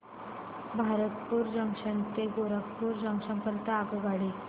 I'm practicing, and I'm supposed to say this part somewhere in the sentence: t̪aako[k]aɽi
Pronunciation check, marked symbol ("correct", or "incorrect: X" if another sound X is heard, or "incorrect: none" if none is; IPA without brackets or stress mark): incorrect: ɡ